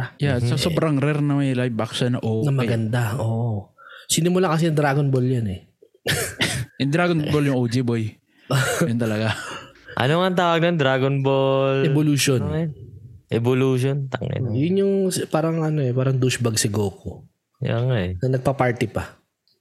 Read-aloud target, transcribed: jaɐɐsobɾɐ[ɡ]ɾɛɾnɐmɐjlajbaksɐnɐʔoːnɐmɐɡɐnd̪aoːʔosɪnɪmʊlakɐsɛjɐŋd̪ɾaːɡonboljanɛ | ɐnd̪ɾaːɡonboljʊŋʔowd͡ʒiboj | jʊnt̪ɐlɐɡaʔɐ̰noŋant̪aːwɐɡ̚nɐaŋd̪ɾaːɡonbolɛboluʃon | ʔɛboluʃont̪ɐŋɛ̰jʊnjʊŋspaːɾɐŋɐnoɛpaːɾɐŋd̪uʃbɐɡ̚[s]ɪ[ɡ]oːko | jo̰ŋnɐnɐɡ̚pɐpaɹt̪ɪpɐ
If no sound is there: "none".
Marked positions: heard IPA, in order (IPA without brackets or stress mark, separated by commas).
ŋ, s, ɡ